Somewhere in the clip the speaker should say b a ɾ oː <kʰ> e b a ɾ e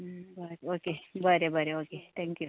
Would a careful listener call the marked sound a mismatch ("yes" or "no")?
yes